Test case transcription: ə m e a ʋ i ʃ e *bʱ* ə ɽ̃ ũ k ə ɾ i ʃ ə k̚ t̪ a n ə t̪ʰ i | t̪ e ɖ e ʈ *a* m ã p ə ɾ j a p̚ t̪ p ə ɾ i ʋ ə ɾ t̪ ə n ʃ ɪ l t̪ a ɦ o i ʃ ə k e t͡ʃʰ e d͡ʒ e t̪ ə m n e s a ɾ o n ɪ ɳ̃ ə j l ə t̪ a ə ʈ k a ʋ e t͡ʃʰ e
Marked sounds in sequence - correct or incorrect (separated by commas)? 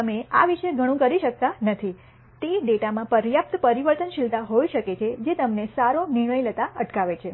incorrect, correct